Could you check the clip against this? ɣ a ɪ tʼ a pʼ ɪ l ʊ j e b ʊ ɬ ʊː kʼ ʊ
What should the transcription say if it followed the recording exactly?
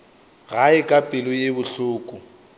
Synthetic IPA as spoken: ɣ a ɪ kʼ a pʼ ɪ l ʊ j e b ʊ ɬ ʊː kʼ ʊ